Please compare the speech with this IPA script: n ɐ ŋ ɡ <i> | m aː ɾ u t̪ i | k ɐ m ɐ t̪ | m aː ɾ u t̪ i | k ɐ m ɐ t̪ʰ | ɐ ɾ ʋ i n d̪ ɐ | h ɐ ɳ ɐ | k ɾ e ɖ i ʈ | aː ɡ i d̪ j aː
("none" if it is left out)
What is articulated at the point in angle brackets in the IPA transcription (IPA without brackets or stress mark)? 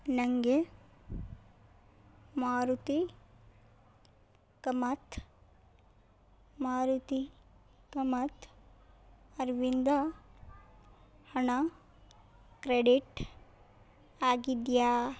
e